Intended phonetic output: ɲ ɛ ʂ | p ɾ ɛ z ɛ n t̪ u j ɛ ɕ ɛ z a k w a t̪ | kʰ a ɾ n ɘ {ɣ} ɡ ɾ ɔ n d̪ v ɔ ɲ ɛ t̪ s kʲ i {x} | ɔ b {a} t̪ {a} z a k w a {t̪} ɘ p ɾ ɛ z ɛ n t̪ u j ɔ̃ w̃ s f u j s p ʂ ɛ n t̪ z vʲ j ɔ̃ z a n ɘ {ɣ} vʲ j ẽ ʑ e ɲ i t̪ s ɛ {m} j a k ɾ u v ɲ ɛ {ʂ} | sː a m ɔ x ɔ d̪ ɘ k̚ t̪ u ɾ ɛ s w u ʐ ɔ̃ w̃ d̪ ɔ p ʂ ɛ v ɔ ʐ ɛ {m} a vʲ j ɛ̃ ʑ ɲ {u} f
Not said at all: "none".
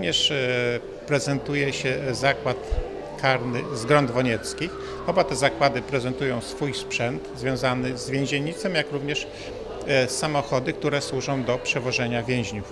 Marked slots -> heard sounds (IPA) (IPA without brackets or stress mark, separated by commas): z, x, a, ɛ, d̪, z, m, ʂ, ɲ, u